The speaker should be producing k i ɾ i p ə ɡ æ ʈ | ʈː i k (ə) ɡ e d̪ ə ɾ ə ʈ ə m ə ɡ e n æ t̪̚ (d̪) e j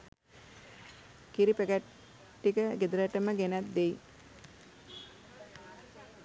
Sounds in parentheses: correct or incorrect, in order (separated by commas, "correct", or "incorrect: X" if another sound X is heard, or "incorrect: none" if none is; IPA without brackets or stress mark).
correct, correct